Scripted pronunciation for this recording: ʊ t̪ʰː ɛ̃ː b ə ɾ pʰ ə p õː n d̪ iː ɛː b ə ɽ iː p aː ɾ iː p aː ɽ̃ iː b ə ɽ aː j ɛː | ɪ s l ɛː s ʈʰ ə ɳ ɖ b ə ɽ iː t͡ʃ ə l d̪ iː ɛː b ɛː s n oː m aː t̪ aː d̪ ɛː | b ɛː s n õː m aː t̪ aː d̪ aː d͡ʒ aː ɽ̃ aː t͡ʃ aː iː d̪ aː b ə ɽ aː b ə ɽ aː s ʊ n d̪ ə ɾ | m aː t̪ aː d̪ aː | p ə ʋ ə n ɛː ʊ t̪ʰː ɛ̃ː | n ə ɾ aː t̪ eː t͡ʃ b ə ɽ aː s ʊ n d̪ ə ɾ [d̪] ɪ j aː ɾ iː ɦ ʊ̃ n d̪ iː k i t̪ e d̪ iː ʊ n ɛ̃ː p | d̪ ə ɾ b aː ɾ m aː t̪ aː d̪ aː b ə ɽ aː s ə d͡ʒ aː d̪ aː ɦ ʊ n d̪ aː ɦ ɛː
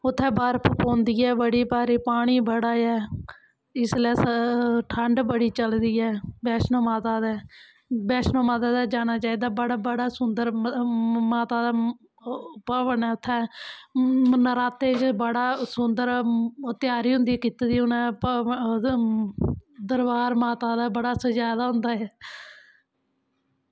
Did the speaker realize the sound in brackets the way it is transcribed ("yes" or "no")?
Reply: no